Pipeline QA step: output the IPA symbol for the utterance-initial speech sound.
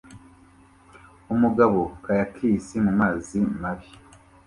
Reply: u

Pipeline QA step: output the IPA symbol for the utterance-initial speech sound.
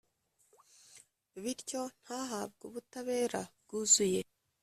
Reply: β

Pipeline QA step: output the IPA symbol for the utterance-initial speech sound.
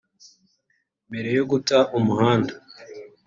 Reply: m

